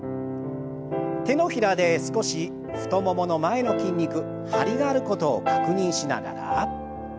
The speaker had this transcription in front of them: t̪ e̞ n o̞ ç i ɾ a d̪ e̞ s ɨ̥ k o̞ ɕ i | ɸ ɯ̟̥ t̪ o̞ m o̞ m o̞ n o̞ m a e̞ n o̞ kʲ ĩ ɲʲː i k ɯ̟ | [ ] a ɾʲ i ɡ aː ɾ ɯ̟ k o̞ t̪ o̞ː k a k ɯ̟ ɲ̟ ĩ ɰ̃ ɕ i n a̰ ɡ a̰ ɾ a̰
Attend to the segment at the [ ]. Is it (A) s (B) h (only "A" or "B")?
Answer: B